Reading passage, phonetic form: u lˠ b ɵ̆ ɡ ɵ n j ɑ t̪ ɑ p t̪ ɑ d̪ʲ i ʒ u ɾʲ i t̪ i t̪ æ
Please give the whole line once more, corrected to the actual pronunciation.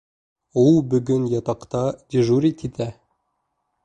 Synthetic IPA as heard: u lˠ b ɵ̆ ɡ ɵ n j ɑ t̪ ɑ q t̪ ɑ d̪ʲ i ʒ u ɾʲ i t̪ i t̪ æ